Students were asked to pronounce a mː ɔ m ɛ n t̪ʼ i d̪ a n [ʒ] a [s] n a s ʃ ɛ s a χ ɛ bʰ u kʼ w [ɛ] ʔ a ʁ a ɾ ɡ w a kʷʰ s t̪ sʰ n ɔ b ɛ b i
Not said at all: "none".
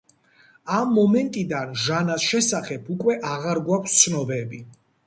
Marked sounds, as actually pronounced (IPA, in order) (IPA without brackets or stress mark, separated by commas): ʒ, none, ɛ